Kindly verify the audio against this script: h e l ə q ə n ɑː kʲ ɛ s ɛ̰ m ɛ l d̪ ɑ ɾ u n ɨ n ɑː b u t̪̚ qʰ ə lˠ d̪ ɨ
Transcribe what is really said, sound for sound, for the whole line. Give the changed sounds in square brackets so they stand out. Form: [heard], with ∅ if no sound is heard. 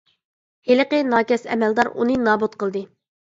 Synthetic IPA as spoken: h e l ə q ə n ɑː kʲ ɛ s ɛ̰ m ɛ l d̪ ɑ ɾ u n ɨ n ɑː b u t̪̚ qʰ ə lˠ d̪ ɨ